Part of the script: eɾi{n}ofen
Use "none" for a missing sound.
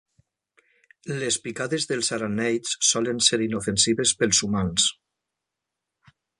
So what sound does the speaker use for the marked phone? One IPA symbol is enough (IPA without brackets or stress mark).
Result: n